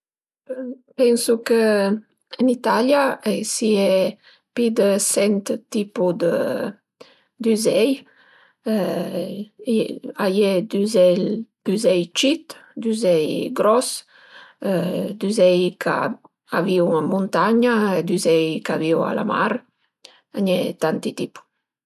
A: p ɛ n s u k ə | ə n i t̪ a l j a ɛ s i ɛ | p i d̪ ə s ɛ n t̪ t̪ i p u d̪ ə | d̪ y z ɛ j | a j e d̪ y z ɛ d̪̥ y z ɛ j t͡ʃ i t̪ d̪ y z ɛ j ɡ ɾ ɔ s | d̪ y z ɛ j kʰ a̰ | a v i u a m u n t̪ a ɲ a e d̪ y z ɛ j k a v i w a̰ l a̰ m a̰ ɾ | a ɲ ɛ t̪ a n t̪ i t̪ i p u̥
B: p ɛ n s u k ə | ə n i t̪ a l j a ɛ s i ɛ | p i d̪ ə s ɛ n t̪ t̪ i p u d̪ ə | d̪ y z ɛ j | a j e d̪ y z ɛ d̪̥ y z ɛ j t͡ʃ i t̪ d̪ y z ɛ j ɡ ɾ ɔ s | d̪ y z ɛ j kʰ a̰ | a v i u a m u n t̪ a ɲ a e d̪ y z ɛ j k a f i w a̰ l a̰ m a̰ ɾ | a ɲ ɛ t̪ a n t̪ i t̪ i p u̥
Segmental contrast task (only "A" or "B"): A